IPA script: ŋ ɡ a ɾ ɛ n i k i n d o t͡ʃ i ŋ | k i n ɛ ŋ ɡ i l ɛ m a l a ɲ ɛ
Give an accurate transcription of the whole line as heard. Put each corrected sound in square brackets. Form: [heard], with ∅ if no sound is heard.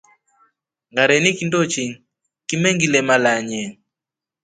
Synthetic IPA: ŋ ɡ a ɾ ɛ n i k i n d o t͡ʃ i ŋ | k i [m] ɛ ŋ ɡ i l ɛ m a l a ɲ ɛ

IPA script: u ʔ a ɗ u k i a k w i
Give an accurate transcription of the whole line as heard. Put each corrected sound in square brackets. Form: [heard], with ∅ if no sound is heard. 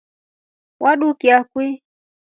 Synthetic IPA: [w] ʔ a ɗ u k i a k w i

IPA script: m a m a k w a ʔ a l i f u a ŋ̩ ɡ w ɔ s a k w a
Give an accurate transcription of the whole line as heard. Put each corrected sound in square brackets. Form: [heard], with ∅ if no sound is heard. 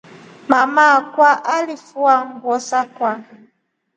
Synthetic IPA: m a m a k w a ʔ a l i f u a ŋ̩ ɡ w ɔ s a k w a

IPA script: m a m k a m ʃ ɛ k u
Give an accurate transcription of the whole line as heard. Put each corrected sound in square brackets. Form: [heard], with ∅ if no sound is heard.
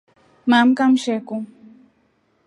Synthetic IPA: m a m k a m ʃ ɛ k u

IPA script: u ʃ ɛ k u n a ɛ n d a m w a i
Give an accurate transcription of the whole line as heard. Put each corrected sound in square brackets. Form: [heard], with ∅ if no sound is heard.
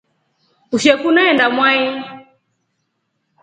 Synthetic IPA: u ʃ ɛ k u n a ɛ n d a m w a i

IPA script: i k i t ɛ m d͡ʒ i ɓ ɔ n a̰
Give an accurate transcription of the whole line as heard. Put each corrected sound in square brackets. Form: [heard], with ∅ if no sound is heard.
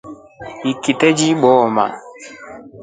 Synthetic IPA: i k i t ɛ [∅] d͡ʒ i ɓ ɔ [m] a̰

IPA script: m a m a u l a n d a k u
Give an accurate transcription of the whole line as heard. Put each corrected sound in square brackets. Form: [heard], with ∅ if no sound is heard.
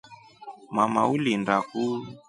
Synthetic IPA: m a m a u l [i] n d a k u

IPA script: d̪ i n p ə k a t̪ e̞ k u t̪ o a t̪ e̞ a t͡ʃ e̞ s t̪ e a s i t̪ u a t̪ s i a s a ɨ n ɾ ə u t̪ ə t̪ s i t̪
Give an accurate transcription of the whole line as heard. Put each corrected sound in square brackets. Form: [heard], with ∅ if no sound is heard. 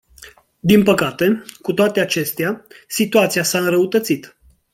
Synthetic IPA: d̪ i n p ə k a t̪ e̞ k u t̪ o a t̪ e̞ a t͡ʃ e̞ s t̪ e a s i t̪ u a t̪ s i a s a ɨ n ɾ ə u t̪ ə t̪ s i t̪

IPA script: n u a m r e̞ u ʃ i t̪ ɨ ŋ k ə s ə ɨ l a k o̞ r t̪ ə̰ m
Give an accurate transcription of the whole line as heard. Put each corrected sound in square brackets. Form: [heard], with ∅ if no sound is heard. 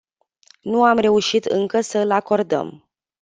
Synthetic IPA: n u a m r e̞ u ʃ i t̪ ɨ ŋ k ə s ə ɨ l a k o̞ r [d̪] ə̰ m

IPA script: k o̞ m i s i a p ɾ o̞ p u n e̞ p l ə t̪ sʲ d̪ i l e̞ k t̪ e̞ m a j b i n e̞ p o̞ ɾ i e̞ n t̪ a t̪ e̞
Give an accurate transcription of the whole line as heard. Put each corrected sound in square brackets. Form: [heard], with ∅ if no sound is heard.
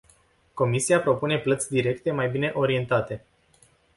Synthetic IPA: k o̞ m i s i a p ɾ o̞ p u n e̞ p l ə t̪ sʲ d̪ i [ɾ] e̞ k t̪ e̞ m a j b i n e̞ [ʔ] o̞ ɾ i e̞ n t̪ a t̪ e̞

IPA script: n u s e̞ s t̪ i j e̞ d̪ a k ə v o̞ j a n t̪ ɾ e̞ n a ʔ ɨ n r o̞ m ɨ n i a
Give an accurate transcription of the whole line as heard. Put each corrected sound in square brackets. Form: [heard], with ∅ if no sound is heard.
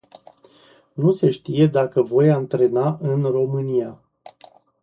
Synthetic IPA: n u s e̞ [ʃ] t̪ i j e̞ d̪ a k ə v o̞ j a n t̪ ɾ e̞ n a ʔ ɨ n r o̞ m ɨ n i a

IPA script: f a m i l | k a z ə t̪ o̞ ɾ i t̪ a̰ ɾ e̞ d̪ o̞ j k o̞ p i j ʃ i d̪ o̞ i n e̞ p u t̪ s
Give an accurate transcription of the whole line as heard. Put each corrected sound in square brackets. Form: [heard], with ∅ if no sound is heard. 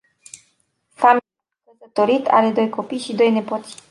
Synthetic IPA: f a m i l | k [ə] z ə t̪ o̞ ɾ i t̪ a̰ ɾ e̞ d̪ o̞ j k o̞ p i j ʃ i d̪ o̞ [j] n e̞ p [o] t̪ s

